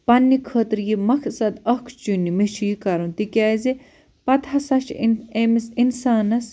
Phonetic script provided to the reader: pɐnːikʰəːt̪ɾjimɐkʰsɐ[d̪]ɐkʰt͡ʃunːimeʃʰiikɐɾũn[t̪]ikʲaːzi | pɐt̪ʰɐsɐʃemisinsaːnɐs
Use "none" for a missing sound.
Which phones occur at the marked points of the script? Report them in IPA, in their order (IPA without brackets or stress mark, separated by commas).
d̪, t̪